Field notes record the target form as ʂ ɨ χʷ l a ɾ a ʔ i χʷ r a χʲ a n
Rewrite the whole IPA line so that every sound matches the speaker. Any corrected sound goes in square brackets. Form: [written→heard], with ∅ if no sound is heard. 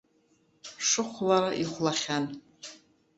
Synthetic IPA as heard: ʂ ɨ χʷ l a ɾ a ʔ i χʷ [r→l] a χʲ a n

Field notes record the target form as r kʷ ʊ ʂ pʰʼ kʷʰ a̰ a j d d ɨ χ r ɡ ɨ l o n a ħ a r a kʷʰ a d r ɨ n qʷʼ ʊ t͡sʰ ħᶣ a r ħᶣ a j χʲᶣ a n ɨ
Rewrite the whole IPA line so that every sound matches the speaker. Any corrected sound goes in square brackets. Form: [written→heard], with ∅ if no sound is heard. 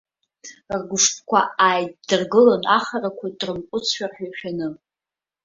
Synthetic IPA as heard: r [kʷ→ɡʷ] ʊ ʂ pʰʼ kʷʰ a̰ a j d d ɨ [χ→∅] r ɡ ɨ l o n a [ħ→χ] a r a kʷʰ a d r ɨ [n→m] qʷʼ ʊ t͡sʰ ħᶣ a r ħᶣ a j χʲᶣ a n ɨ

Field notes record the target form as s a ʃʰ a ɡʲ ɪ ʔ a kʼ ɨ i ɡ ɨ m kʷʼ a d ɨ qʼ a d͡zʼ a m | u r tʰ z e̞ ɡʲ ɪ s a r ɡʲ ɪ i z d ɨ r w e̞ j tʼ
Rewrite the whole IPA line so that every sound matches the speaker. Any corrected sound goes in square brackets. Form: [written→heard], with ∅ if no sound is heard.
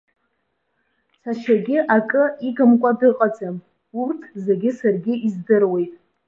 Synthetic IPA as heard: s a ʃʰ a ɡʲ ɪ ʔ a kʼ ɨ i ɡ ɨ m kʷʼ a d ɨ qʼ a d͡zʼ a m | u r tʰ z e̞ ɡʲ ɪ s a r ɡʲ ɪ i z d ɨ r w e̞ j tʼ

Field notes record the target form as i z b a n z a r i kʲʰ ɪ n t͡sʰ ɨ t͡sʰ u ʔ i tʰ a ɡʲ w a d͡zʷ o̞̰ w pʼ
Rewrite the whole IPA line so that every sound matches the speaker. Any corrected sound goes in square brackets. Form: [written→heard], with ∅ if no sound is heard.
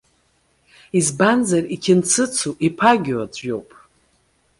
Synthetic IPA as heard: i z b a n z a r i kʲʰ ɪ n t͡sʰ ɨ t͡sʰ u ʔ i [tʰ→pʰ] a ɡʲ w a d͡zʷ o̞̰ w pʼ

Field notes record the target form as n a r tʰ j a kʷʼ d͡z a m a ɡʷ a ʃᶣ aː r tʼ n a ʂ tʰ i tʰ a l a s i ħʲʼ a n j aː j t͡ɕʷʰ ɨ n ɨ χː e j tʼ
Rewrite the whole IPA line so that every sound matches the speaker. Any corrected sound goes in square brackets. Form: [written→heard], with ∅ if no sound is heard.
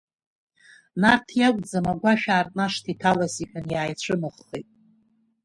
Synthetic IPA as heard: n a r tʰ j a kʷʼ d͡z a m a ɡʷ a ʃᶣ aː r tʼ n a ʂ tʰ i tʰ a l a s i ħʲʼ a n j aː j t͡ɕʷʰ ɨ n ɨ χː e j tʼ

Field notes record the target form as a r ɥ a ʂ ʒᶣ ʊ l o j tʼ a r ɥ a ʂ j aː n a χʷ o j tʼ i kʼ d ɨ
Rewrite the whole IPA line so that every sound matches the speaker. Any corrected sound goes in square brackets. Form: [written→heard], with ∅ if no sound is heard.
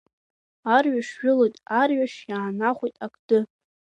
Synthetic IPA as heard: a r ɥ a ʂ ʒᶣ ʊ l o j tʼ a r ɥ a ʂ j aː n a χʷ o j tʼ [i→a] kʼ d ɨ

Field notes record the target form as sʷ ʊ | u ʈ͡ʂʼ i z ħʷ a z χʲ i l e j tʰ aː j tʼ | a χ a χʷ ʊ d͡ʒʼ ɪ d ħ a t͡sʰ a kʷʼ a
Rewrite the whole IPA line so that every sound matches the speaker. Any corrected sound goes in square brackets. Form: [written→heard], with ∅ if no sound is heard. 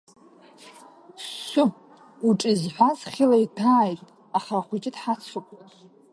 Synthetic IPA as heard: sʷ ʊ | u ʈ͡ʂʼ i z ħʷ a z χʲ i l [e→a] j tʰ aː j tʼ | a χ a χʷ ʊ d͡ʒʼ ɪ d ħ a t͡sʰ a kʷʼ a

